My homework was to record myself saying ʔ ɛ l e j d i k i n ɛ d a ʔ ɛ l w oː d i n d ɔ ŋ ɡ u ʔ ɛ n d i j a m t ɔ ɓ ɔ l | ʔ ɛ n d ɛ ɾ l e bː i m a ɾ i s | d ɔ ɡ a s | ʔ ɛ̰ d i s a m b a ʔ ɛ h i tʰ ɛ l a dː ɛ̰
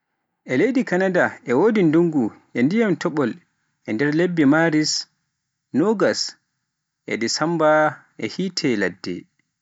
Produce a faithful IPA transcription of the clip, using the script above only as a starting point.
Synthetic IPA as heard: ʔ ɛ l e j d i k a n a d a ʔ ɛ w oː d i n d u ŋ ɡ u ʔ ɛ n d i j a m t ɔ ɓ ɔ l | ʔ ɛ n d ɛ ɾ l e bː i m a ɾ i s | n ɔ ɡ a s | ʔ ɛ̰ d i s a m b a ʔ ɛ h i tʰ ɛ l a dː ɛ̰